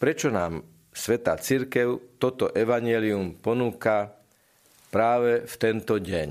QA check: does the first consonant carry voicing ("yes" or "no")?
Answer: no